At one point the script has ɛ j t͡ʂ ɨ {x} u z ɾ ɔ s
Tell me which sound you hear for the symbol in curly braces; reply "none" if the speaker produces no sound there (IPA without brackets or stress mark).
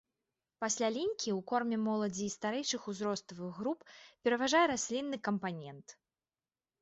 x